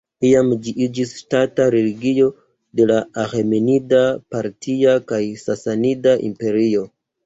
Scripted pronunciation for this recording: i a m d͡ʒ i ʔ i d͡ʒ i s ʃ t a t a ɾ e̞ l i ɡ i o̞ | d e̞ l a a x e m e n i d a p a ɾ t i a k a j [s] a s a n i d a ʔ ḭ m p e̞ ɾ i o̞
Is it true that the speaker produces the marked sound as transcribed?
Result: yes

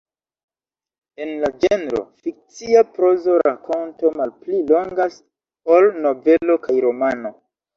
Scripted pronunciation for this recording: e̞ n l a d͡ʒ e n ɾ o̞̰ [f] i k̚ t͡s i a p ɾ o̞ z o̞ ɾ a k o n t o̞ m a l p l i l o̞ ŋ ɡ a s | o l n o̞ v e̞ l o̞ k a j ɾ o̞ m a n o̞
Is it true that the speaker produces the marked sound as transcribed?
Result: yes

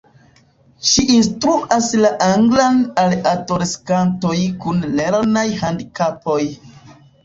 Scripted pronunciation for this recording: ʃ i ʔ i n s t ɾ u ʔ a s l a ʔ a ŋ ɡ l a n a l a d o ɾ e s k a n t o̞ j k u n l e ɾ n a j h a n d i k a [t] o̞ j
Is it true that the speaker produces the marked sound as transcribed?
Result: no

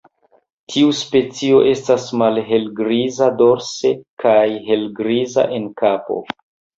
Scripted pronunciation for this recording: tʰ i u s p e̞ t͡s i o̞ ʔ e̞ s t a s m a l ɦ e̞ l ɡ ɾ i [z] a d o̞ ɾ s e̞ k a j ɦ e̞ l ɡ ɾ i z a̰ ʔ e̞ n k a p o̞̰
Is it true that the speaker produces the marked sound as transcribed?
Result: yes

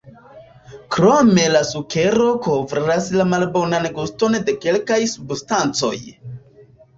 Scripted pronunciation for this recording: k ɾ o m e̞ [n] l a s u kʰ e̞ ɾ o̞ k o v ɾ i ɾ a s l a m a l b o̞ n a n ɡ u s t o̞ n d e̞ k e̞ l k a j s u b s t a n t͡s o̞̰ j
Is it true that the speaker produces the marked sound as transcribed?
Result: no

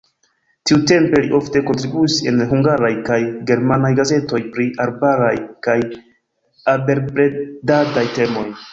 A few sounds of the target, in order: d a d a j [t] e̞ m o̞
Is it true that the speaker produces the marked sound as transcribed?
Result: yes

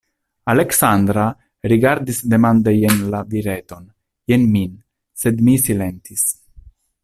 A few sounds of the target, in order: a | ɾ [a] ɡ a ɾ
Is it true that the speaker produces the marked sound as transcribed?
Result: no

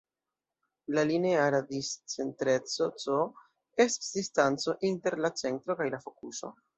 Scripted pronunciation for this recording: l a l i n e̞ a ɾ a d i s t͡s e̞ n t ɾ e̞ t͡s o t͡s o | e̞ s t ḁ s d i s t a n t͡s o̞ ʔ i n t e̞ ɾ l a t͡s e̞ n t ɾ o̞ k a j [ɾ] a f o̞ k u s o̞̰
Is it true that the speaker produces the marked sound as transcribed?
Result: no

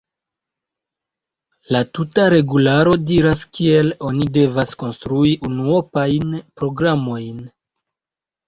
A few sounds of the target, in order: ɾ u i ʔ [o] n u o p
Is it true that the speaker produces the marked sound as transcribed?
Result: no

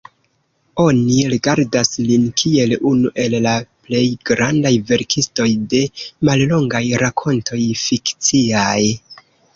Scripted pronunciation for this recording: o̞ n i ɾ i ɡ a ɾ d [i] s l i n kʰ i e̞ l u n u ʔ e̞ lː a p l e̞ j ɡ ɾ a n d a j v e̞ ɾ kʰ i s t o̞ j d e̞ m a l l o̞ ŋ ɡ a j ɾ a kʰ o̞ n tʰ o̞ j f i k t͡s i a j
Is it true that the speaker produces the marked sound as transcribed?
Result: no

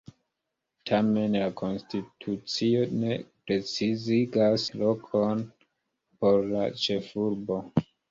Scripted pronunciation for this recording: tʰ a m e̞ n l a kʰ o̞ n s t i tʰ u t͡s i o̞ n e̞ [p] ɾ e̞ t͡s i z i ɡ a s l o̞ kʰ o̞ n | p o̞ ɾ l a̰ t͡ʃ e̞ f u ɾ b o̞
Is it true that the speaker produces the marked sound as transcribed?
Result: yes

